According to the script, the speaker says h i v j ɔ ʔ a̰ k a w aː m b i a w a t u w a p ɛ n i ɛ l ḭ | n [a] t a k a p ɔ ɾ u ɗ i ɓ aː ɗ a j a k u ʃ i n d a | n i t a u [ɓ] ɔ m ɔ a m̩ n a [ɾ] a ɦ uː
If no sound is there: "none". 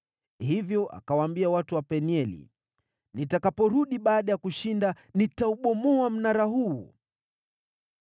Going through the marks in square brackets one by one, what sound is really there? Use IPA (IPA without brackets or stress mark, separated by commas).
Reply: i, ɓ, ɾ